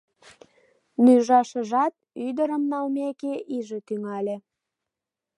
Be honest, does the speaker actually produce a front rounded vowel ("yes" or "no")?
yes